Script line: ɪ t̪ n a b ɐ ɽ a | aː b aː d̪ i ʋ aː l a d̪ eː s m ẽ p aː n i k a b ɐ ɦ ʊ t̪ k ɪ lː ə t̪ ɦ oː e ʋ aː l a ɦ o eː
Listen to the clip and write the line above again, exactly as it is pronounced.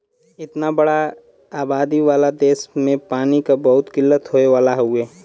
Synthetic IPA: ɪ t̪ n a b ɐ ɽ a | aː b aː d̪ i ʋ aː l a d̪ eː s m ẽ p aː n i k a b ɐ ɦ ʊ t̪ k ɪ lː ə t̪ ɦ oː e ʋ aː l a ɦ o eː